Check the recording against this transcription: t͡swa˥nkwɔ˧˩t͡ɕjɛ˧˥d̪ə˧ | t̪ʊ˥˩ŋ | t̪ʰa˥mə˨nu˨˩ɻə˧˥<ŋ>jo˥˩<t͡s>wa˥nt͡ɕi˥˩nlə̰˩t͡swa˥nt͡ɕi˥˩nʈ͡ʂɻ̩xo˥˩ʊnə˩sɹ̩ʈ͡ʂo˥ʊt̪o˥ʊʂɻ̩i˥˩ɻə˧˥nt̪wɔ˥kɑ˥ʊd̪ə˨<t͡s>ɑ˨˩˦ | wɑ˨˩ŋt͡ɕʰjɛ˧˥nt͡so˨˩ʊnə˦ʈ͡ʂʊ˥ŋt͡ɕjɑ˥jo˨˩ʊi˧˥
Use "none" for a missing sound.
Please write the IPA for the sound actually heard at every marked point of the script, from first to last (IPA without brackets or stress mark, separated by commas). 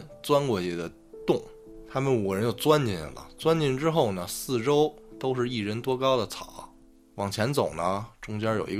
n, t͡s, t͡sʰ